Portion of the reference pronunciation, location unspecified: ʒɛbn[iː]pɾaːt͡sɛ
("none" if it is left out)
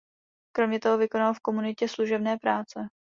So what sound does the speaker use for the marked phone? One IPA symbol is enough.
ɛː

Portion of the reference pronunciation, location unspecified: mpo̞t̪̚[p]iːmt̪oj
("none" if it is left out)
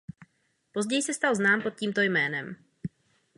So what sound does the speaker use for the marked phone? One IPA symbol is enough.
c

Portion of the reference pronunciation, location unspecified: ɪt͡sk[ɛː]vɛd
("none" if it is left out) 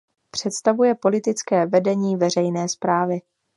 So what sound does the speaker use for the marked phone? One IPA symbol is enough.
ɛː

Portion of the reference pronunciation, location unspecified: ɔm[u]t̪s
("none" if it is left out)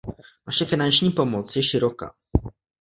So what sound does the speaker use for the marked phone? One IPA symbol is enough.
ɔ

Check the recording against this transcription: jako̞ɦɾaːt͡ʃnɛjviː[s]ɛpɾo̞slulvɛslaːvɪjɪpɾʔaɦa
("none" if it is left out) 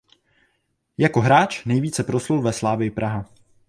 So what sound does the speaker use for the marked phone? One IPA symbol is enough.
t͡s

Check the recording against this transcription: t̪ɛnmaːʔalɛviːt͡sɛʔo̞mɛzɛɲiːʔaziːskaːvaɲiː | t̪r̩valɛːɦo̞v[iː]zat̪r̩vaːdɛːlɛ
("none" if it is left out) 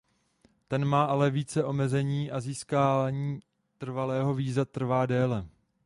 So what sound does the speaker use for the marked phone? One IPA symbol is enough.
iː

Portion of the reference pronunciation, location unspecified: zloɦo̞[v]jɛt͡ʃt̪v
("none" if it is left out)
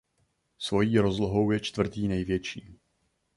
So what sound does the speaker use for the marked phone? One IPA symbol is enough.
w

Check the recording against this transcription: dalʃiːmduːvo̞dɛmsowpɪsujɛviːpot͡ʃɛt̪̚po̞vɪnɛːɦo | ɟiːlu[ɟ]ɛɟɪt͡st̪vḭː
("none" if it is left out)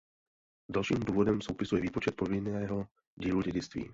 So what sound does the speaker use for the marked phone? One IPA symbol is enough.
ɟ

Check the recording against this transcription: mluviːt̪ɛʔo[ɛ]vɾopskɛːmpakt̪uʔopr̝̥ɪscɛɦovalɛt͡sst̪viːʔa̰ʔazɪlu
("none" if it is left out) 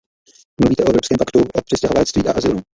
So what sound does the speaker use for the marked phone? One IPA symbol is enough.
ɛ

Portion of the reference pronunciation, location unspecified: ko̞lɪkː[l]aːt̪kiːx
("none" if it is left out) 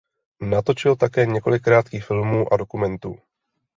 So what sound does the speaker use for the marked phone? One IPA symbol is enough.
ɾ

